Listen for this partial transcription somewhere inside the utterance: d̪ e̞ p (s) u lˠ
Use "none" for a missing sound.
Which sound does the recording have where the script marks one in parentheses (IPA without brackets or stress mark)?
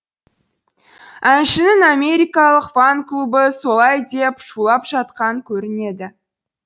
ʃ